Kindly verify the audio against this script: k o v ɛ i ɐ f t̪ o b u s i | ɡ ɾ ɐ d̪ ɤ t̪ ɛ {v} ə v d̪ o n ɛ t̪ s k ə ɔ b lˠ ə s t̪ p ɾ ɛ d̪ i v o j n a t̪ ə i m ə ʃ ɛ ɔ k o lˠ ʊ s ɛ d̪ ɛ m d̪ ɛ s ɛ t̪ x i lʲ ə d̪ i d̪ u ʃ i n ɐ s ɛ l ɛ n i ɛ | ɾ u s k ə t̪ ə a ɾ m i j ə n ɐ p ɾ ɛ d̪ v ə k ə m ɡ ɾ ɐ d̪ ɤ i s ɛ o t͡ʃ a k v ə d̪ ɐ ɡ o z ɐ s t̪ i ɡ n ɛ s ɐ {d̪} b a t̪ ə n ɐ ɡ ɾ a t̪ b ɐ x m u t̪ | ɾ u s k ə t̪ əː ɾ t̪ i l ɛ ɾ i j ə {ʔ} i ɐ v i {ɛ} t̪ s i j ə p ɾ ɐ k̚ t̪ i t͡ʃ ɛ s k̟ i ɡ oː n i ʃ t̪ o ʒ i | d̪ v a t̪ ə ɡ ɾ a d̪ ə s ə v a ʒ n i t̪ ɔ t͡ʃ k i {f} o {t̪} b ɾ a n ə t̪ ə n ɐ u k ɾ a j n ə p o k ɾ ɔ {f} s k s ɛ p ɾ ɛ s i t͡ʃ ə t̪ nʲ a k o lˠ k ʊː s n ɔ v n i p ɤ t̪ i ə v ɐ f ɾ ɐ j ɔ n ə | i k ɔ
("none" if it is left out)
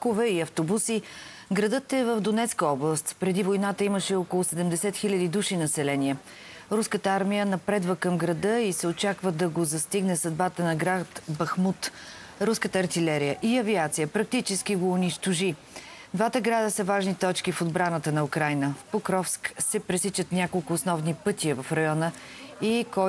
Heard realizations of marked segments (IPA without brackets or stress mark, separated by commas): v, d̪, ʔ, a, f, d̪, f